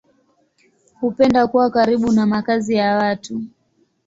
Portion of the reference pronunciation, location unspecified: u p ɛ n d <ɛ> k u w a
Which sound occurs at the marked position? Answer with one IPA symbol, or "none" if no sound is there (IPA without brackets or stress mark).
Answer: a